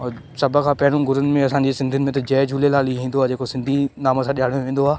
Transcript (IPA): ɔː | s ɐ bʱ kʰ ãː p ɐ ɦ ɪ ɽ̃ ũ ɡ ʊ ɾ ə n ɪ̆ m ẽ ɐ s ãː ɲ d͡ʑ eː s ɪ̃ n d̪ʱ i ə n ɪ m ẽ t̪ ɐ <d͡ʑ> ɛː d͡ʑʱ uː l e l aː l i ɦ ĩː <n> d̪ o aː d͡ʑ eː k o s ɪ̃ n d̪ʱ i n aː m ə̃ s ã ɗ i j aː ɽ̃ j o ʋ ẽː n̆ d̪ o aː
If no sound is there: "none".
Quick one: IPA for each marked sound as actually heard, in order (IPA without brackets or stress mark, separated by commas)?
d͡ʑ, n